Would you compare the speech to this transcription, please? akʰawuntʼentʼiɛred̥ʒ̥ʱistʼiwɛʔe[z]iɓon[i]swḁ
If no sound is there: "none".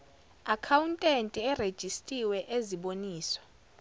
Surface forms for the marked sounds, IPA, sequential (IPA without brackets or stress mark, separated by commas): z, iː